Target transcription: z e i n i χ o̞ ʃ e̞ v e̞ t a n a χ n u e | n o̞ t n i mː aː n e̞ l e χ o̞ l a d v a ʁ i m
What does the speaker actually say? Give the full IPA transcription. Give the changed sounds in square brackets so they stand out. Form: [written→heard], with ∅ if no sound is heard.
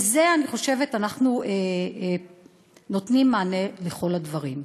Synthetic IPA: z e [i→a] n i χ o̞ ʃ e̞ v e̞ t a n a χ n u e | n o̞ t n i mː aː n e̞ l e χ o̞ l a d v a ʁ i m